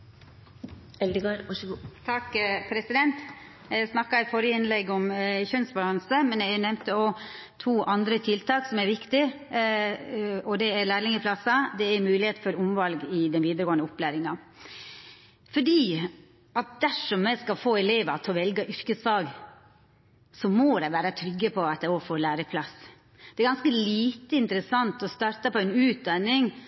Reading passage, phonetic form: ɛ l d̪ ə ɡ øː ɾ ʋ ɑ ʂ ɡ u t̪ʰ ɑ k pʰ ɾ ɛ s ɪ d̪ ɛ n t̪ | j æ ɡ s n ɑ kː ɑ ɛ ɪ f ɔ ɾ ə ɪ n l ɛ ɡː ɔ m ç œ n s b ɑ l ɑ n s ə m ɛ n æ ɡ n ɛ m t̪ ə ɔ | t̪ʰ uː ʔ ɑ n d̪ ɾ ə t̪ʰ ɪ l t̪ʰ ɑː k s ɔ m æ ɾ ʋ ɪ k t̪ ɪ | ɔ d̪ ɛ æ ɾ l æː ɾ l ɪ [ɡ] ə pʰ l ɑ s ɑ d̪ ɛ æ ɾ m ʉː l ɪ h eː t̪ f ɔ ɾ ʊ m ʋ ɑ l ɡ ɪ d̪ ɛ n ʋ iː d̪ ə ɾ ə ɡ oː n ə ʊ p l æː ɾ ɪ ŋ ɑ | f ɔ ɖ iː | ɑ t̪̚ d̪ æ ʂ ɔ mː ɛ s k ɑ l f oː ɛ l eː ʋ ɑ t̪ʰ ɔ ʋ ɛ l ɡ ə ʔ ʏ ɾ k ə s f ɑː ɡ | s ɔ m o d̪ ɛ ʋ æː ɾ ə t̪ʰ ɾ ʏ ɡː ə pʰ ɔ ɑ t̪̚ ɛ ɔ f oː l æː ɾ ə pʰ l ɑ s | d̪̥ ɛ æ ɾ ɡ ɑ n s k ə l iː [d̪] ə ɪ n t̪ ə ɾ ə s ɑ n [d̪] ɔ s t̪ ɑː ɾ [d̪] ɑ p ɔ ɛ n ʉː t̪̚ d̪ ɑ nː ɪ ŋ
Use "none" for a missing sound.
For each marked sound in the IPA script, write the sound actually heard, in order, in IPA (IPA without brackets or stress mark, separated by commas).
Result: ŋ, t̪, t̪, t̪